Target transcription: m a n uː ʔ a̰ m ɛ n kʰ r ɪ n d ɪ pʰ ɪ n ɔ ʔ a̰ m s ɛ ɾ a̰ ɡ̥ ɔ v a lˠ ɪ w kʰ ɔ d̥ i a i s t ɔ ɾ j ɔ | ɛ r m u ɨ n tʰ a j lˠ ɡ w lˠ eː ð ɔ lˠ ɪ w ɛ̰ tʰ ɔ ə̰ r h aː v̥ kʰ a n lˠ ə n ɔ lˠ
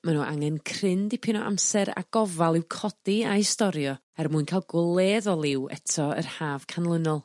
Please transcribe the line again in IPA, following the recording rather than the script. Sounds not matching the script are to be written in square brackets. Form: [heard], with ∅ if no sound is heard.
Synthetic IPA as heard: m a n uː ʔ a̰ [ŋ] ɛ n kʰ r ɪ n d [i] pʰ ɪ n ɔ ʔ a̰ m s ɛ ɾ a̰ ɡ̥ ɔ v a lˠ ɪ w kʰ ɔ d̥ i a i s t ɔ ɾ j ɔ | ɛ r m u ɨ n [kʰ] a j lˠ ɡ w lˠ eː ð ɔ lˠ ɪ w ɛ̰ tʰ ɔ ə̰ r h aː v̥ kʰ a n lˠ ə n ɔ lˠ